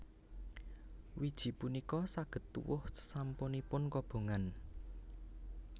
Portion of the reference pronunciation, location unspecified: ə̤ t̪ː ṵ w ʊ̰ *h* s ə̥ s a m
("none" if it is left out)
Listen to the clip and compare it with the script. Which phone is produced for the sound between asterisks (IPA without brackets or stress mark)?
h